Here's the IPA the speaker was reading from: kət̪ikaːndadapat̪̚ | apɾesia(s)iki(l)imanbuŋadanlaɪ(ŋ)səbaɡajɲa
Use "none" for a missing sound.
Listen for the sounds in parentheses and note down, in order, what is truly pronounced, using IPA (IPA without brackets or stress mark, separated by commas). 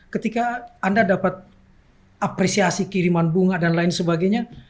s, ɾ, n